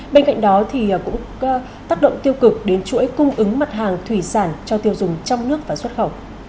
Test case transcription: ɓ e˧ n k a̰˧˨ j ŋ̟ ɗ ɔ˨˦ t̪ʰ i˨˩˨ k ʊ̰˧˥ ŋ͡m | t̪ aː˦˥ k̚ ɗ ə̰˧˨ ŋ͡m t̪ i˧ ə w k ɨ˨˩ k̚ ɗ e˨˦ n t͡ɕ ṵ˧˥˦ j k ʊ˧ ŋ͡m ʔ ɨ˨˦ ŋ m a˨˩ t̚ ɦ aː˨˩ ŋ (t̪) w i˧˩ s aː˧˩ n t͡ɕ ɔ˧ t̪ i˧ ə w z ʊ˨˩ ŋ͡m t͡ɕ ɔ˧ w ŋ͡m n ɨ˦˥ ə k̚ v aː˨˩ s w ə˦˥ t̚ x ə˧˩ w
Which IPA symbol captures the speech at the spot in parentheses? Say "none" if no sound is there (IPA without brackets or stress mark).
t̪ʰ